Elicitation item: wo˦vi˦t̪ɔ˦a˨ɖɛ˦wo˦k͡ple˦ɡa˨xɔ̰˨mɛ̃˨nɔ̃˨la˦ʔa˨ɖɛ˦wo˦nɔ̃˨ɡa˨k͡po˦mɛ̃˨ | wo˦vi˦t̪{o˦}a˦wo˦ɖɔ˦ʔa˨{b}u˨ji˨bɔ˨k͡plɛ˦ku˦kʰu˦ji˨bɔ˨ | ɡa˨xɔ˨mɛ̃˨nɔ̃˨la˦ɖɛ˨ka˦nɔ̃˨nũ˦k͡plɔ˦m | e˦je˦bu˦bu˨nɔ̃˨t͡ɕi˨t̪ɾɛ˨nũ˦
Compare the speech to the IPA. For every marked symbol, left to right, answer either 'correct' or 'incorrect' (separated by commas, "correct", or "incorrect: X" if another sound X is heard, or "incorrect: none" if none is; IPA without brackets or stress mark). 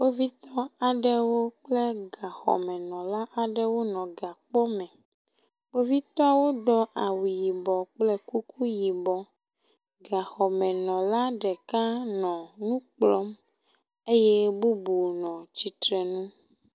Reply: incorrect: ɔ˦, incorrect: w